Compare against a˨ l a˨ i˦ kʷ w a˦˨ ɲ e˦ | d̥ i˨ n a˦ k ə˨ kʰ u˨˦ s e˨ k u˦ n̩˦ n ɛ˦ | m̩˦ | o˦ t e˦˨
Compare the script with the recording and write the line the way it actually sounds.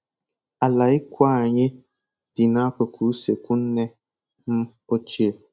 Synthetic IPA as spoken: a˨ l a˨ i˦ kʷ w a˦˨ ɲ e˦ | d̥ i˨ n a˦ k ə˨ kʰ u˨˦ s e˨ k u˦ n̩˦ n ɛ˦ | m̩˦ | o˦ t͡ʃ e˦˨